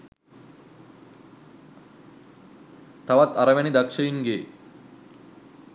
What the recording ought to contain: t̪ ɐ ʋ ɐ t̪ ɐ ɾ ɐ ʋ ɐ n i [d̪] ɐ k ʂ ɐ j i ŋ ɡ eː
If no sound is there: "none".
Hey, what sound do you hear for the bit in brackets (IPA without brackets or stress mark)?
d̪